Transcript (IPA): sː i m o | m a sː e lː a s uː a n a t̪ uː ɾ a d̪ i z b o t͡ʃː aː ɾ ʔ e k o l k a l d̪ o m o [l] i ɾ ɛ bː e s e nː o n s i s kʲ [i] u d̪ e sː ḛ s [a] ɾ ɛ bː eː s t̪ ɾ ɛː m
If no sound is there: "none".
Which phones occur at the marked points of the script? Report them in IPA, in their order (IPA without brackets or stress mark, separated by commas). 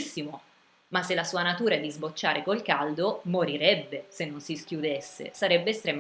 ɾ, j, a